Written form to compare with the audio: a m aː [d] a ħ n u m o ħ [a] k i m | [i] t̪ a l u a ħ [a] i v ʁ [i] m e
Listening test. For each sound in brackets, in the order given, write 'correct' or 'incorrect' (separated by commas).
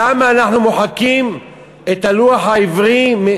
incorrect, correct, incorrect, correct, correct